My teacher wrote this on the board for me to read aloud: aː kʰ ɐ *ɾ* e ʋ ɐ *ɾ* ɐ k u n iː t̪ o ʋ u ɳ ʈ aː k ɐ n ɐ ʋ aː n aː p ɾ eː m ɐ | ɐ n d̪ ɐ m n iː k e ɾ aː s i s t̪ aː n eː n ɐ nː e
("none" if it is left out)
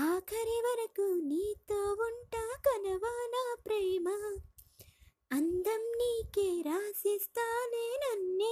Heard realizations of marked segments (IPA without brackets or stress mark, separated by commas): ɾ, ɾ